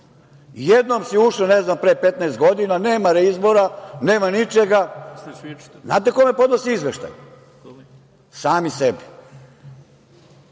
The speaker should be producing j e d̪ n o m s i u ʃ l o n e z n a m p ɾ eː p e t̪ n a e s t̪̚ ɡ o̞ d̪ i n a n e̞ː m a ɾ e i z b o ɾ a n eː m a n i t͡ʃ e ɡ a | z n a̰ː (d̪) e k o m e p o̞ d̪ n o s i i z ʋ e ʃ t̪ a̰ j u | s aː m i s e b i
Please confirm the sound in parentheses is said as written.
no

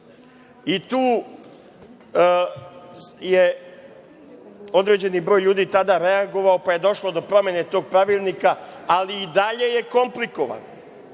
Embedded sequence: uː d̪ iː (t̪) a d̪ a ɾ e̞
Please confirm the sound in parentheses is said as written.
yes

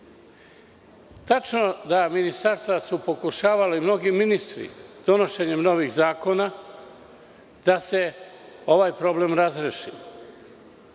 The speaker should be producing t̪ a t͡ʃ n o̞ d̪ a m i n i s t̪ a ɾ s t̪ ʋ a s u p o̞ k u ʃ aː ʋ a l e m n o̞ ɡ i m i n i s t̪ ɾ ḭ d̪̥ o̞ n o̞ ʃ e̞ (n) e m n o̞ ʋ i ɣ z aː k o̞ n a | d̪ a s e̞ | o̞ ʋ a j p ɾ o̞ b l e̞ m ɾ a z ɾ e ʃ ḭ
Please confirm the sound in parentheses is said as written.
no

